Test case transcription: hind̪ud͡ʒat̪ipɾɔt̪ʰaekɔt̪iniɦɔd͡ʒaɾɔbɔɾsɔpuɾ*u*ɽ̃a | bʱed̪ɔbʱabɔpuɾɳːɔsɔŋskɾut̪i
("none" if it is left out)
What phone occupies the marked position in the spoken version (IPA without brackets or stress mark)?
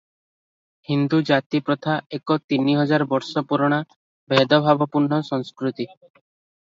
ɔ